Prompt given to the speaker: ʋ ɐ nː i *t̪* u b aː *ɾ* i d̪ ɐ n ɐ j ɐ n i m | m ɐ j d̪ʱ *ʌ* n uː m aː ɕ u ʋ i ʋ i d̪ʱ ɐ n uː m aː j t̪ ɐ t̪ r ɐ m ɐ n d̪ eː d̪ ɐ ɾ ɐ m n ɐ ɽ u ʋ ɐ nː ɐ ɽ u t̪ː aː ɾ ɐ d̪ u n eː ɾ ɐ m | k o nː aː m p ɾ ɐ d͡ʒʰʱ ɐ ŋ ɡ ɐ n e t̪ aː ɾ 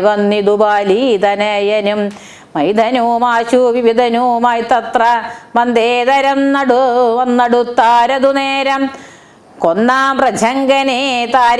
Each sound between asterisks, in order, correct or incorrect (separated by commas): incorrect, incorrect, incorrect